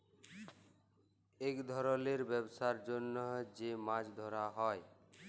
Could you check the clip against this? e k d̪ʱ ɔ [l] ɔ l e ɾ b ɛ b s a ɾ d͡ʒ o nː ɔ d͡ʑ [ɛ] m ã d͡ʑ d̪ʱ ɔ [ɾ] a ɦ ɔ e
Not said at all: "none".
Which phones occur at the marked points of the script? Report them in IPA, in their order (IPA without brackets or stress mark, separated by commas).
ɾ, e, ɾ